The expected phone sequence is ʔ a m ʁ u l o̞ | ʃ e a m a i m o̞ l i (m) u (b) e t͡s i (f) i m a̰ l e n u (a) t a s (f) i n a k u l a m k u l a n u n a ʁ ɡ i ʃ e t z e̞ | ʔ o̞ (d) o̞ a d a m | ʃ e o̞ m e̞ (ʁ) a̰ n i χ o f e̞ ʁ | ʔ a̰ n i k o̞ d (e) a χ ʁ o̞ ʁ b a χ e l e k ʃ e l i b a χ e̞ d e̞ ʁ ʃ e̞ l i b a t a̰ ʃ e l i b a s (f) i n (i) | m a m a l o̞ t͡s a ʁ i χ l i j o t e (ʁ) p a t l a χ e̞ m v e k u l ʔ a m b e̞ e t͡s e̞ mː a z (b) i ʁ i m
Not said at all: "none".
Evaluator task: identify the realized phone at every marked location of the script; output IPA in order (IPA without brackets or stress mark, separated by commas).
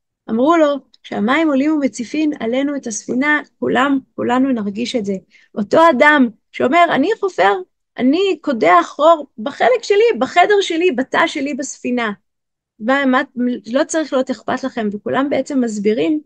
m, m, f, e, f, t, ʁ, e, f, a, χ, b